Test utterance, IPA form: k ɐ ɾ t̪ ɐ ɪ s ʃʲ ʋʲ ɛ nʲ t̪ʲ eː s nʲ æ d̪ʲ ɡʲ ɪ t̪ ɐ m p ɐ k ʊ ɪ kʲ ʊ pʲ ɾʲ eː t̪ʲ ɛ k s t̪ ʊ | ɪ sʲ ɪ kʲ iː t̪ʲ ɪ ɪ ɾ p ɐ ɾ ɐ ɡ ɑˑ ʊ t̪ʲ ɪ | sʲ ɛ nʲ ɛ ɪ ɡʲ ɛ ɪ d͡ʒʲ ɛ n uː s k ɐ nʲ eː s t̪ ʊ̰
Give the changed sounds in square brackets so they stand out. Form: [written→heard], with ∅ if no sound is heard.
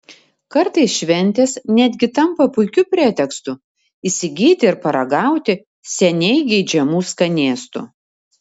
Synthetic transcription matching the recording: k ɐ ɾ t̪ ɐ ɪ s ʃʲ ʋʲ ɛ nʲ t̪ʲ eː s nʲ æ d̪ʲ ɡʲ ɪ t̪ ɐ m p ɐ [k→p] ʊ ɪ kʲ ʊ pʲ ɾʲ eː t̪ʲ ɛ k s t̪ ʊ | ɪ sʲ ɪ [kʲ→ɡʲ] iː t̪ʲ ɪ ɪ ɾ p ɐ ɾ ɐ ɡ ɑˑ ʊ t̪ʲ ɪ | sʲ ɛ nʲ ɛ ɪ ɡʲ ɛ ɪ d͡ʒʲ ɛ [n→m] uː s k ɐ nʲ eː s t̪ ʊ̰